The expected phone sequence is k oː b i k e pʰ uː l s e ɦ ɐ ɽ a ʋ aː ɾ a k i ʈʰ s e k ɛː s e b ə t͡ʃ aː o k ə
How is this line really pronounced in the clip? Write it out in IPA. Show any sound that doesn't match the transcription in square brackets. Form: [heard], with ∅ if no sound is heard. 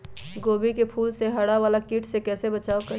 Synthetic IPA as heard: [ɡ] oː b i k e pʰ uː l s e ɦ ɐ ɽ a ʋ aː [l] a k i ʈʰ s e k ɛː s e b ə t͡ʃ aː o k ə